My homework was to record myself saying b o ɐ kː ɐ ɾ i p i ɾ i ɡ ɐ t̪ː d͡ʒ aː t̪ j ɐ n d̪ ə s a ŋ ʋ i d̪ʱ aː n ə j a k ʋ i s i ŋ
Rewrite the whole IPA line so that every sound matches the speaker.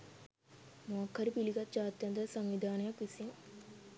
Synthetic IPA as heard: m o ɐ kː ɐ ɾ i p i l i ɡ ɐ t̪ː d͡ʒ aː t̪ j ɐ n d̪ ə s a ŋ ʋ i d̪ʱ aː n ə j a k ʋ i s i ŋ